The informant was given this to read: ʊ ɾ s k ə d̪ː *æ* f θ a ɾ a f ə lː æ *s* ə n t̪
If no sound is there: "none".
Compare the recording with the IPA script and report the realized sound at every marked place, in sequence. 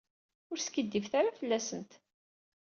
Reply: i, s

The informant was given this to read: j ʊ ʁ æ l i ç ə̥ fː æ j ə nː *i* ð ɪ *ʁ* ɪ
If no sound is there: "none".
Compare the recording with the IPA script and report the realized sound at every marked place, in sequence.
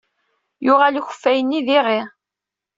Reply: i, ʁ

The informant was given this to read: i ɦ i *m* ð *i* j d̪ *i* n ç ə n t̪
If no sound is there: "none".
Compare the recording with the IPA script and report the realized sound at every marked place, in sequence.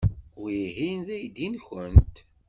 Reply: n, æ, i

